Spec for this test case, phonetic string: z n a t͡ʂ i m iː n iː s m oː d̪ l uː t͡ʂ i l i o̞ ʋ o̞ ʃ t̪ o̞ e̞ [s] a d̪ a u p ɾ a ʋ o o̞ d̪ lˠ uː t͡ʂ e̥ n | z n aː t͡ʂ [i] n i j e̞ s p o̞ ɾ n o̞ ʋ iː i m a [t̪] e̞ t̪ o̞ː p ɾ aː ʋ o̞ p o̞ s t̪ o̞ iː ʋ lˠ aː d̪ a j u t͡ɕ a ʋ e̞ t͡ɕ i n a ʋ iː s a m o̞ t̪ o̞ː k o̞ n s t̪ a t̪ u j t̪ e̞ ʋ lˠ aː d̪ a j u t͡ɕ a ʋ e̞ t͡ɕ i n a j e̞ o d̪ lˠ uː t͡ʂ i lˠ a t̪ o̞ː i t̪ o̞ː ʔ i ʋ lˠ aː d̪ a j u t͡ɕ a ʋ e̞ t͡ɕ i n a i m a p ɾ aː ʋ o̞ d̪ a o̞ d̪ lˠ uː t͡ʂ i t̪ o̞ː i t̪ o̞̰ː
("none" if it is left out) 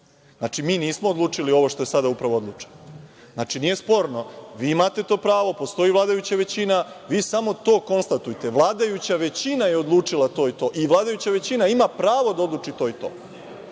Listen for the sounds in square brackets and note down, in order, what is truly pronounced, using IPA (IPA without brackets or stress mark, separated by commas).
s, i, t̪